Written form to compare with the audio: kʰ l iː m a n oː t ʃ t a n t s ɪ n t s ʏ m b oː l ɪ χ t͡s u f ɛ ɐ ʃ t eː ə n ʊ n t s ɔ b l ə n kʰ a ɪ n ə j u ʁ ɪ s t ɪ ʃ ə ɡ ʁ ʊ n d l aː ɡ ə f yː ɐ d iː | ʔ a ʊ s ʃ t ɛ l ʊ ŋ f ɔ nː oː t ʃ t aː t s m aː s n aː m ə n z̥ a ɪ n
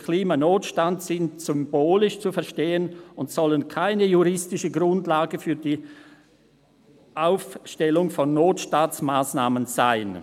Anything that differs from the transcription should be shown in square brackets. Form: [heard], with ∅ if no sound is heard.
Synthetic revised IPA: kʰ l iː m a n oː t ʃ t a n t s ɪ n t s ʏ m b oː l ɪ [ʃ] t͡s u f ɛ ɐ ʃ t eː ə n ʊ n t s ɔ [∅] l ə n kʰ a ɪ n ə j u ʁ ɪ s t ɪ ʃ ə ɡ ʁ ʊ n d l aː ɡ ə f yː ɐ d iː | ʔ a ʊ [f] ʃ t ɛ l ʊ ŋ f ɔ nː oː t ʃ t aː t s m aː s n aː m ə n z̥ a ɪ n